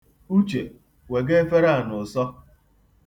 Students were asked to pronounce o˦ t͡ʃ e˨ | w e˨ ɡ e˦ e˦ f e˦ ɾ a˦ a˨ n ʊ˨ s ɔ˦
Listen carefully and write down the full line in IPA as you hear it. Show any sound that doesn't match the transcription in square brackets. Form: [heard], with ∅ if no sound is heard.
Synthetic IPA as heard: [u˦] t͡ʃ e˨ | w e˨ ɡ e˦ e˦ f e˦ ɾ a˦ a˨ n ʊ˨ s ɔ˦